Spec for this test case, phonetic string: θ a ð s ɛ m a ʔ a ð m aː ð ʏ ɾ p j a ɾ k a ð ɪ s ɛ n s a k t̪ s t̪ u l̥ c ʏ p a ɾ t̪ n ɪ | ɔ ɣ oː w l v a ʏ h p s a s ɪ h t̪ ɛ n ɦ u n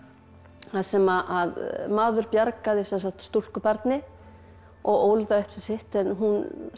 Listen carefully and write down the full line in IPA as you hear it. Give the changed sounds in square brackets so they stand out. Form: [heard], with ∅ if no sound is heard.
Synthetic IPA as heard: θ a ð s ɛ m a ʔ a ð m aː ð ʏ ɾ p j a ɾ k a ð ɪ s ɛ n s a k t̪ s t̪ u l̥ [k] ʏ p a ɾ t̪ n ɪ | ɔ ɣ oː w l [ð] a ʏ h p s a s ɪ h t̪ ɛ n ɦ u n

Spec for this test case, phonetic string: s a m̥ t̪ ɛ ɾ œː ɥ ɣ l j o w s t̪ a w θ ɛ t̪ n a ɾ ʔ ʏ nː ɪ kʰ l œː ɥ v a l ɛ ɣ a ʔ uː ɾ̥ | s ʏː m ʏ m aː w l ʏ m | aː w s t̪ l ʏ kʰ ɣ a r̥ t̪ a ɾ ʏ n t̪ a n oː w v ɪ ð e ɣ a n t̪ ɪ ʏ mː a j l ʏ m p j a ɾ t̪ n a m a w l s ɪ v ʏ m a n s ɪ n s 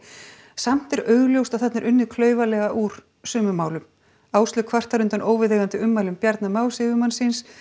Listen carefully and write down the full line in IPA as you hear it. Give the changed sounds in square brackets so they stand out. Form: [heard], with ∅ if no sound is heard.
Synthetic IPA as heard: s a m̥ t̪ ɛ ɾ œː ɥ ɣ l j o w s t̪ a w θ ɛ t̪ n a ɾ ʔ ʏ nː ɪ kʰ l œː ɥ v a l ɛ ɣ a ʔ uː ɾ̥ | s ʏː m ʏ m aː w l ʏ m | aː w s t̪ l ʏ kʰ [v] a r̥ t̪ a ɾ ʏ n t̪ a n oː w v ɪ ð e ɣ a n t̪ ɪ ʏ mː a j l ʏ m p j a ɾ t̪ n a m a w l s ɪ v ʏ m a n s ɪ n s

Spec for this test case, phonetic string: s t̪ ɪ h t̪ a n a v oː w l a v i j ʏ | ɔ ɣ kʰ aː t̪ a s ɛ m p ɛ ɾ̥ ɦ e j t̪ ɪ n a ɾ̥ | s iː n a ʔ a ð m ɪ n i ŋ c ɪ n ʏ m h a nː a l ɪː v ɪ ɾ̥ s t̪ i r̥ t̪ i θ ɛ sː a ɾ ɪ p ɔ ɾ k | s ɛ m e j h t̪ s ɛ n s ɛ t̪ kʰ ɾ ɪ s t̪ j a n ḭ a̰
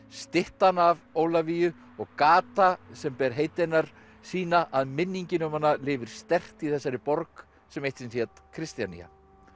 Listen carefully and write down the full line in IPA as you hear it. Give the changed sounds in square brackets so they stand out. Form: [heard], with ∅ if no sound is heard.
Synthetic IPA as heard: s t̪ ɪ h t̪ a n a v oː w l a v i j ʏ | ɔ ɣ [k] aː t̪ a s ɛ m p ɛ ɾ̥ ɦ e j t̪ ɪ n a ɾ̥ | s iː n a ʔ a ð m ɪ [nː] i [ɲ] c ɪ n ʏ m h a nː a l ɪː v ɪ ɾ̥ s t̪ [ɛ] r̥ t̪ i θ ɛ sː a ɾ ɪ p ɔ ɾ k | s ɛ m e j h t̪ s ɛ n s ɛ t̪ kʰ ɾ ɪ s t̪ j a n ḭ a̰

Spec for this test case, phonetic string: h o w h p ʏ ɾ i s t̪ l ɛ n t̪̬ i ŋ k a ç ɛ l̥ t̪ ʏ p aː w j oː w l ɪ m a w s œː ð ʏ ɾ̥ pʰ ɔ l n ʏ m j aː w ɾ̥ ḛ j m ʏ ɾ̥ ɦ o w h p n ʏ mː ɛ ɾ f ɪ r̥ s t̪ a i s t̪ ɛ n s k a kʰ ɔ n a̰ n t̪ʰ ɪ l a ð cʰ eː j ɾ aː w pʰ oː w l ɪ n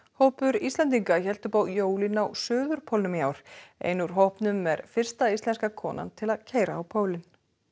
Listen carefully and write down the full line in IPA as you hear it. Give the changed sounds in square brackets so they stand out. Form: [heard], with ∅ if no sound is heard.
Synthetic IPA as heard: h o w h p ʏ ɾ i s t̪ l ɛ n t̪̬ i ŋ k a ç ɛ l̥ t̪ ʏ p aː w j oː w l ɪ [n] a w s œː ð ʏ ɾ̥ pʰ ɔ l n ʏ m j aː w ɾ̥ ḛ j [n] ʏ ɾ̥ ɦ o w h p n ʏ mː ɛ ɾ f ɪ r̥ s t̪ a i s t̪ ɛ n s k a kʰ [ɔː] n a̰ n t̪ʰ ɪ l a ð cʰ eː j ɾ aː w pʰ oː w l ɪ n

